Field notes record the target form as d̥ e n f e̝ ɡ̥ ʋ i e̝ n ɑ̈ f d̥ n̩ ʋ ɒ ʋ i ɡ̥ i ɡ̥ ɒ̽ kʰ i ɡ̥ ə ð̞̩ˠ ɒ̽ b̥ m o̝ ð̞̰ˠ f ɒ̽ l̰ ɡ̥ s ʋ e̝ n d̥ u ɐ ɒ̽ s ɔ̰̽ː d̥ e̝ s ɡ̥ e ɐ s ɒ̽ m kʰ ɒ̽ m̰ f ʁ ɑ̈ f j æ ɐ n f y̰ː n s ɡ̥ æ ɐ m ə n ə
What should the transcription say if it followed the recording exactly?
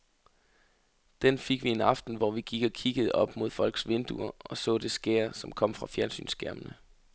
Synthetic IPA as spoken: d̥ e n f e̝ ɡ̥ ʋ i e̝ n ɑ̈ f d̥ n̩ ʋ ɒ ʋ i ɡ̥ i ɡ̥ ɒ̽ kʰ i ɡ̥ ə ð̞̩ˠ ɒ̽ b̥ m o̝ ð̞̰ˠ f ɒ̽ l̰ ɡ̥ s ʋ e̝ n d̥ u ɐ ɒ̽ s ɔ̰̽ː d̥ e̝ s ɡ̥ e ɐ s ɒ̽ m kʰ ɒ̽ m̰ f ʁ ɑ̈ f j æ ɐ n s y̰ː n s ɡ̥ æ ɐ m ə n ə